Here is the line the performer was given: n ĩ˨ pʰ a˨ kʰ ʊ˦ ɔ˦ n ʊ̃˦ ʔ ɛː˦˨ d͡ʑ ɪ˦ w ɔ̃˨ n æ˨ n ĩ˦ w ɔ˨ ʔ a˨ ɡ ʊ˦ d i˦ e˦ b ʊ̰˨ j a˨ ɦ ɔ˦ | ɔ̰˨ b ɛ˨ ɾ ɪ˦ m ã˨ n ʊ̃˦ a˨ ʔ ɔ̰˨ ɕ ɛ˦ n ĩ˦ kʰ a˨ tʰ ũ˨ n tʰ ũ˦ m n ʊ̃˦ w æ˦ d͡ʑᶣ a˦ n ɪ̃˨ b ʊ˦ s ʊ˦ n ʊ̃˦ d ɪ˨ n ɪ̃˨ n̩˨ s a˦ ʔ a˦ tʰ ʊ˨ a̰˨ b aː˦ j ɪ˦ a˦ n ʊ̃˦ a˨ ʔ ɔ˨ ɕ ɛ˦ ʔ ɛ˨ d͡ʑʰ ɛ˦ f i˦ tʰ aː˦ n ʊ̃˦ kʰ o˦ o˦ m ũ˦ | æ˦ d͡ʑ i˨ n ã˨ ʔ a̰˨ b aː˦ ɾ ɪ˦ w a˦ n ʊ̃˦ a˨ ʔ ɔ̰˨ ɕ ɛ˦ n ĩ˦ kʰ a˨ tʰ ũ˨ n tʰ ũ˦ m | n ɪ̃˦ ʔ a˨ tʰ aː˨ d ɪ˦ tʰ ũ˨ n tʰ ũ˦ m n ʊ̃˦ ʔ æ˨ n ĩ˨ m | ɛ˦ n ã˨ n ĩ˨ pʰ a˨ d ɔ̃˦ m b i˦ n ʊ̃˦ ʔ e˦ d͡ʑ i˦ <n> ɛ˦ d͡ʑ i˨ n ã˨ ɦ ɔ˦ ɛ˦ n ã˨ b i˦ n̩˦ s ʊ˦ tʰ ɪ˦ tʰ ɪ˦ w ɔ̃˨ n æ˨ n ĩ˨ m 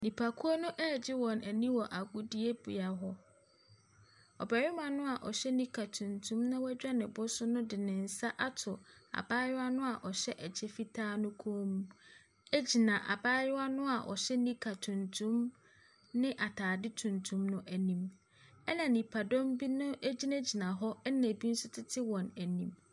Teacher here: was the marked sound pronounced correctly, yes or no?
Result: yes